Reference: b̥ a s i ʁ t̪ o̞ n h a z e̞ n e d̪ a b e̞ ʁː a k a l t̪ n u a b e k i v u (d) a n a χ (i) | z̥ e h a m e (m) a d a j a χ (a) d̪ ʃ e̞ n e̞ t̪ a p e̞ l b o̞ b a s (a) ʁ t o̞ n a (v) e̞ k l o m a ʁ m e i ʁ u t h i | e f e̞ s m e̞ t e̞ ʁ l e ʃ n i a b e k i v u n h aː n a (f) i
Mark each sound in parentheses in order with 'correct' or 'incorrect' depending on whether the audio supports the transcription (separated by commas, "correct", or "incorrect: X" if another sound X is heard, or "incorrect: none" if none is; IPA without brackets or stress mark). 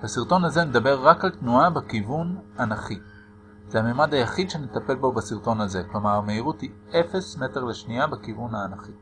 incorrect: n, correct, correct, incorrect: i, incorrect: i, incorrect: z, incorrect: χ